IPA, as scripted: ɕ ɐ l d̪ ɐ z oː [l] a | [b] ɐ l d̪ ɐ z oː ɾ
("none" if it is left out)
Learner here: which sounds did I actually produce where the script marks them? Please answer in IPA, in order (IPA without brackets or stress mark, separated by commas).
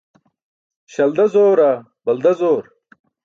ɾ, b